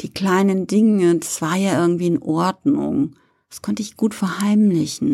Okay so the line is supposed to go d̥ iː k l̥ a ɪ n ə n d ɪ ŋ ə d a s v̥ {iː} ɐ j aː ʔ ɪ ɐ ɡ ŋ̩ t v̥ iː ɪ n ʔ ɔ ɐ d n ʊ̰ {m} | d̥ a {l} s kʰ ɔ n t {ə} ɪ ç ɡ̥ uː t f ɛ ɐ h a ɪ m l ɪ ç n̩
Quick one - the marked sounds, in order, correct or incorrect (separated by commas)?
incorrect, incorrect, incorrect, correct